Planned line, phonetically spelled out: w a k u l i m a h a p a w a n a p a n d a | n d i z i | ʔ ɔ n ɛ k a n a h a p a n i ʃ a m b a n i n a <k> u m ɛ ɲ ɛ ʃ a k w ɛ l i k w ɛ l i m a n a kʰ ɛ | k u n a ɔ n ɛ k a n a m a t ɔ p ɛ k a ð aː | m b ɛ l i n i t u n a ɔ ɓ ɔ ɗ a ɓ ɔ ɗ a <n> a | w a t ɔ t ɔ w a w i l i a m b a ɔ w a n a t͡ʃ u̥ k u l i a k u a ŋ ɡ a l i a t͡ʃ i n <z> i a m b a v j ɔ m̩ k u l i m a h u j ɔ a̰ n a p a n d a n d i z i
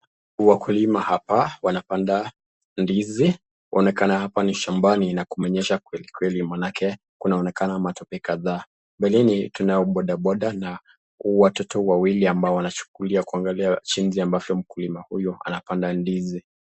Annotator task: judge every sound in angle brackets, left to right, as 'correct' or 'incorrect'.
correct, correct, correct

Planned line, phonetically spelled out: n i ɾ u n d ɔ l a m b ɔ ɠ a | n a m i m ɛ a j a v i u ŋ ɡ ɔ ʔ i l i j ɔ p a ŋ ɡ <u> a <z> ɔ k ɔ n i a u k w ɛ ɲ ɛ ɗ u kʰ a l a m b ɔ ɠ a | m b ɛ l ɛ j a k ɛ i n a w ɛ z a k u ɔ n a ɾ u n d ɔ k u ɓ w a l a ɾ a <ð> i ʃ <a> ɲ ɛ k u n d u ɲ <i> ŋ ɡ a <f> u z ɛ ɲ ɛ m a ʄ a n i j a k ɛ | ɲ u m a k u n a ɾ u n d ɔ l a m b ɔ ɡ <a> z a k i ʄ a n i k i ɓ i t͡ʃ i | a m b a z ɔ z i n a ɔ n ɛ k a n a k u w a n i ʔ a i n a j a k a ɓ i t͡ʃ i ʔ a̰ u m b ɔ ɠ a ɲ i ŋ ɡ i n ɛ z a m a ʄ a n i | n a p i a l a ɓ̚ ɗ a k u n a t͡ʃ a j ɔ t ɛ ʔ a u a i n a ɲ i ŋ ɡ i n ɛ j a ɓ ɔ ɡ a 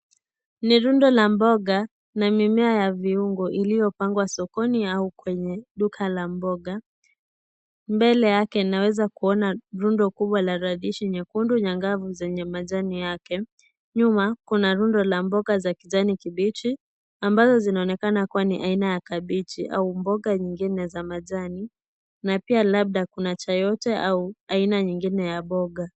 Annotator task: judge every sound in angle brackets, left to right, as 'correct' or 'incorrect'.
incorrect, incorrect, correct, incorrect, incorrect, incorrect, correct

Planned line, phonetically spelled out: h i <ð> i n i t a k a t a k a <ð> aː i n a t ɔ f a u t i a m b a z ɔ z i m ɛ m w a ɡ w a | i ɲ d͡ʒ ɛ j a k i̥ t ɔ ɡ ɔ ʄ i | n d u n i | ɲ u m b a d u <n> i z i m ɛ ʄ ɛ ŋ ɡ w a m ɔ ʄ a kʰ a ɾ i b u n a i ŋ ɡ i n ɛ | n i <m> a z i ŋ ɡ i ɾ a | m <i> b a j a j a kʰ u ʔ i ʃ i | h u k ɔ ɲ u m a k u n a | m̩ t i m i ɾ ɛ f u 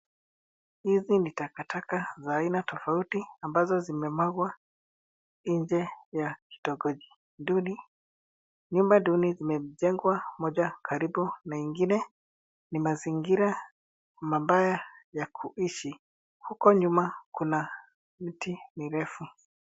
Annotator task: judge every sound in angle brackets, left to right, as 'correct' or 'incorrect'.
incorrect, incorrect, correct, correct, incorrect

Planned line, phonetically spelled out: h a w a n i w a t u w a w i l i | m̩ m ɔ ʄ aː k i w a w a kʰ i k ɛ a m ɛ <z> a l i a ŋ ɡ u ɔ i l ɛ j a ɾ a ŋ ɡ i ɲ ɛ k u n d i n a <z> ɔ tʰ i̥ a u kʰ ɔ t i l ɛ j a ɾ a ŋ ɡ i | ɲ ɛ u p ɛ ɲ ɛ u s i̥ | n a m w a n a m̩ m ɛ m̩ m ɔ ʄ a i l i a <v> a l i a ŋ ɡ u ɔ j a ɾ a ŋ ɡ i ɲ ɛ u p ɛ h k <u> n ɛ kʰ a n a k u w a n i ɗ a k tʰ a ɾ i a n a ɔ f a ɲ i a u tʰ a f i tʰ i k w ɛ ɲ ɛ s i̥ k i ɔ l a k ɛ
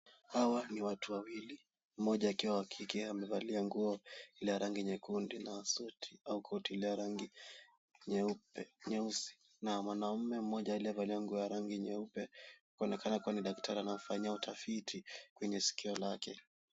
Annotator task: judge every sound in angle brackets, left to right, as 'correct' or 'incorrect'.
incorrect, incorrect, correct, incorrect

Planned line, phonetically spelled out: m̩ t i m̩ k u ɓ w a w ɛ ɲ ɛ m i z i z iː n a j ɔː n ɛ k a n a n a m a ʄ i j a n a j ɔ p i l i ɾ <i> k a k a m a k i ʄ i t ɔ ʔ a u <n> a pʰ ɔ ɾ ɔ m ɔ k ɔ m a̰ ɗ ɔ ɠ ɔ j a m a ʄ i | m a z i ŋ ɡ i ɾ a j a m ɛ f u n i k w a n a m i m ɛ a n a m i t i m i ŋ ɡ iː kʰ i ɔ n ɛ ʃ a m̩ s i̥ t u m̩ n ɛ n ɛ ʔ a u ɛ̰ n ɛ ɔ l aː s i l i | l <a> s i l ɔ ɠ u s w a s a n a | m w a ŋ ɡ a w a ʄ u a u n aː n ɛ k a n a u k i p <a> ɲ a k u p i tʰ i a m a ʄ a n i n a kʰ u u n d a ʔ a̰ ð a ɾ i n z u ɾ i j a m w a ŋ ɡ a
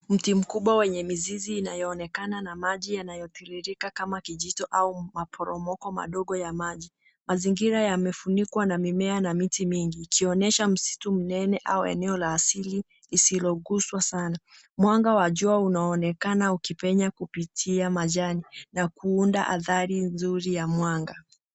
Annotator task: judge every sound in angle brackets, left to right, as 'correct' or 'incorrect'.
correct, incorrect, incorrect, incorrect

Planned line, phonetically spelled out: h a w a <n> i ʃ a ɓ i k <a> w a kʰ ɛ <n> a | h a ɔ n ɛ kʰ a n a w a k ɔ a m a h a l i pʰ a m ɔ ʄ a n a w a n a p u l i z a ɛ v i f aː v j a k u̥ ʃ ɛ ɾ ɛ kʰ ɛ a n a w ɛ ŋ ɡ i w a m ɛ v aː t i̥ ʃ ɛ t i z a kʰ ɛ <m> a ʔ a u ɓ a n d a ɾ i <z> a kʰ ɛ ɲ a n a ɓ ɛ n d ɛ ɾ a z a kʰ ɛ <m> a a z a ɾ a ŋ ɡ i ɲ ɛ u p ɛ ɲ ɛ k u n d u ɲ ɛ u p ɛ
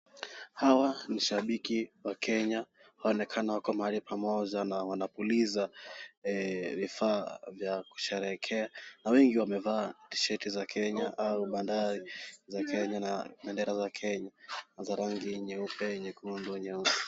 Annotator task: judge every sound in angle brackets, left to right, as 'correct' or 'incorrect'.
correct, incorrect, incorrect, incorrect, correct, incorrect

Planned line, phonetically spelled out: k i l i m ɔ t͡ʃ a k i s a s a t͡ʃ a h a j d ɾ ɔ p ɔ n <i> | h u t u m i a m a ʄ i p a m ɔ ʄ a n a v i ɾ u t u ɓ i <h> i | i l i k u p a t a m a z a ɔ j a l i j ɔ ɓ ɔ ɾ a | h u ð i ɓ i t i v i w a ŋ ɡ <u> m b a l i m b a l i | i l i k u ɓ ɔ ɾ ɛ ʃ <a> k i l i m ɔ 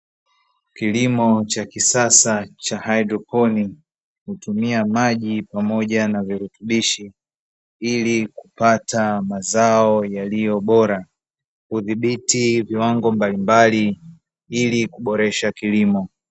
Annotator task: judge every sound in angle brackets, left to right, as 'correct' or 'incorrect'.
correct, incorrect, incorrect, correct

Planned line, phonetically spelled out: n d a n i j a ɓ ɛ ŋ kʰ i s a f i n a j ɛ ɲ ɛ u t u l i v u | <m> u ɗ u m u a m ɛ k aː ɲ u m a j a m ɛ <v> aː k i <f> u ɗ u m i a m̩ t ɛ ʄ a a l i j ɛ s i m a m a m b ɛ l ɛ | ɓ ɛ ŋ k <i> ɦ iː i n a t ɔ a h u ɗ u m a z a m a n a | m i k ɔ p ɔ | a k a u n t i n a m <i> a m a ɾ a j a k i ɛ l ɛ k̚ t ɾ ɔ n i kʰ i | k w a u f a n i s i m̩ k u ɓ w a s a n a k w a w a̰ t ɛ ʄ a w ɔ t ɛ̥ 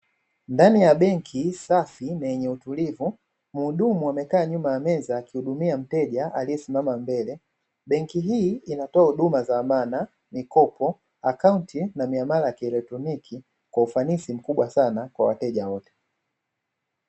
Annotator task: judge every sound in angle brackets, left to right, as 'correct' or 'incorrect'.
correct, incorrect, incorrect, correct, correct

